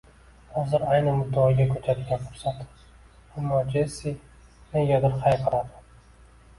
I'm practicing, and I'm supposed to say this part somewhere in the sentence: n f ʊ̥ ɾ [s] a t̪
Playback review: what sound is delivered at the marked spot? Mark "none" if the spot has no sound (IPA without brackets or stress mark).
s